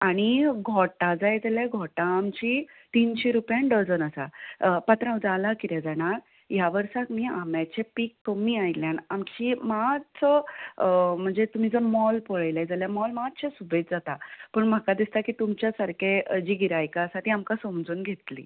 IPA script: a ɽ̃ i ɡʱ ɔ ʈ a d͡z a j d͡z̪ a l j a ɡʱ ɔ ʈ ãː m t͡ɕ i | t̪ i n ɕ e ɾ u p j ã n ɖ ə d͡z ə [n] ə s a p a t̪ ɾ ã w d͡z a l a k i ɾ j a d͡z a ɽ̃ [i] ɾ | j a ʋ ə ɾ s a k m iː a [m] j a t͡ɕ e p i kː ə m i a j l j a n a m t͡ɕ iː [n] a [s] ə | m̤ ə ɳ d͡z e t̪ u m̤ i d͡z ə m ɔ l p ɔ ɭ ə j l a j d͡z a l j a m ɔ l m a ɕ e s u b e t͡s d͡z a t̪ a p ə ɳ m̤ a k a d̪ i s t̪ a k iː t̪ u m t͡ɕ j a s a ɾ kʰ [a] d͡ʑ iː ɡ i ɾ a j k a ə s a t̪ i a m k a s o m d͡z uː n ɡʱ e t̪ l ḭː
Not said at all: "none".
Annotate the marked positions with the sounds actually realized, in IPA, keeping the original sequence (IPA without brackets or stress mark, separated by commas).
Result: n, a, m, m, t͡s, e